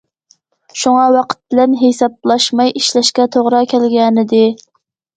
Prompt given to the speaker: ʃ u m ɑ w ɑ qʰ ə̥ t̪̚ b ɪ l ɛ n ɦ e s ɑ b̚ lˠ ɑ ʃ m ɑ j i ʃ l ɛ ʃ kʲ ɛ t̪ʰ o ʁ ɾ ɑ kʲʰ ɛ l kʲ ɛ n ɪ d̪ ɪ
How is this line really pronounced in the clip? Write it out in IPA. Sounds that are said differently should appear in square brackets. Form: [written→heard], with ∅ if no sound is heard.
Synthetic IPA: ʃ u [m→ŋ] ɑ w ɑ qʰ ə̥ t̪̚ b ɪ l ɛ n ɦ e s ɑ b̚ lˠ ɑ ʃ m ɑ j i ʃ l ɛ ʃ kʲ ɛ t̪ʰ o ʁ ɾ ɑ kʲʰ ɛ l [kʲ→ɡʲ] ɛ n ɪ d̪ ɪ